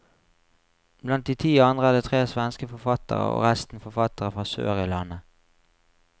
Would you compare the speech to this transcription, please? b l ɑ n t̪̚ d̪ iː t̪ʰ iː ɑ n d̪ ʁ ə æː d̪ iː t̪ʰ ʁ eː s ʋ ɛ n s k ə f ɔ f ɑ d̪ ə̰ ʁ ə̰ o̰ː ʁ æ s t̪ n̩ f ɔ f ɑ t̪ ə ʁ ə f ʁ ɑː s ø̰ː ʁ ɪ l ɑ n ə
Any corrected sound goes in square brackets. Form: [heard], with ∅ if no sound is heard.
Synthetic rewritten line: b l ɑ n t̪̚ d̪ iː t̪ʰ iː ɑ n d̪ ʁ ə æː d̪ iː t̪ʰ ʁ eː s ʋ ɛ n s k ə f ɔ f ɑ [t̪] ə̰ ʁ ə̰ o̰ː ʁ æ s t̪ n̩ f ɔ f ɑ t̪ ə ʁ ə f ʁ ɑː s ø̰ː ʁ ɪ l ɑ n ə